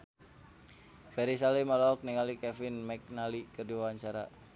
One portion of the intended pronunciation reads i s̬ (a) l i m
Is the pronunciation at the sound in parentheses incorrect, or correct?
correct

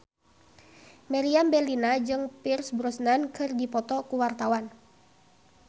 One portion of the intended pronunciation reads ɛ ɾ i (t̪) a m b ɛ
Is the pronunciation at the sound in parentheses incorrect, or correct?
incorrect: none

